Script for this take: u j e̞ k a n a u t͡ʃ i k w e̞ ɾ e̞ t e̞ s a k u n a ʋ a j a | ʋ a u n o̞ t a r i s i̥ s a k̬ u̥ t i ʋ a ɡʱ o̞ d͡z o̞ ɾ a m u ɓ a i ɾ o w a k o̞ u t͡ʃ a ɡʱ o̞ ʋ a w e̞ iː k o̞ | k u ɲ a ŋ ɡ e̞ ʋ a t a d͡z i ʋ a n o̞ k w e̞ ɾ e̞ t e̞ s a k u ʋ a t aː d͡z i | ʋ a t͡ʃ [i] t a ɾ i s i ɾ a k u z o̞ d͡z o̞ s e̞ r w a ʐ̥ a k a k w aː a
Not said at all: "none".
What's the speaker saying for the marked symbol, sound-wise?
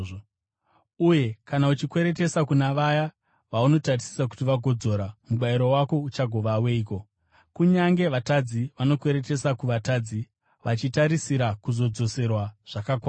i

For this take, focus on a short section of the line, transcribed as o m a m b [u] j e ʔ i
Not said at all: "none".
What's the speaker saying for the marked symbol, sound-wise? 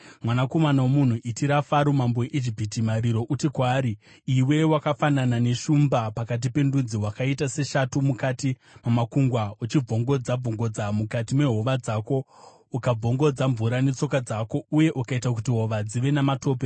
o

